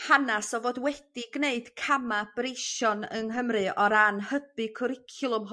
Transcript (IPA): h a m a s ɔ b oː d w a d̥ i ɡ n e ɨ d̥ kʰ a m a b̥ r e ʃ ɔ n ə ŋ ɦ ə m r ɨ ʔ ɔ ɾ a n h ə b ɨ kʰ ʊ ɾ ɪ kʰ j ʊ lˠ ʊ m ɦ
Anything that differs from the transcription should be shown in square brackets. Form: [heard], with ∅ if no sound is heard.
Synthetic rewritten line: h a [n] a s ɔ [v] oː d w [ɛ] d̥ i ɡ n e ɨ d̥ kʰ a m a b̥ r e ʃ ɔ n ə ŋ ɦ ə m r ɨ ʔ ɔ ɾ a n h ə b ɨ kʰ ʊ ɾ ɪ kʰ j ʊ lˠ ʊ m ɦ